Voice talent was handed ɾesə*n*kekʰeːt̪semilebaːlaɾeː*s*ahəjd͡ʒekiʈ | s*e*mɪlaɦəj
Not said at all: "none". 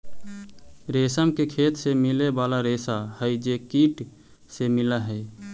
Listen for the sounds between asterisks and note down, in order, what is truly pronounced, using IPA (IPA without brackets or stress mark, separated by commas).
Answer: m, s, e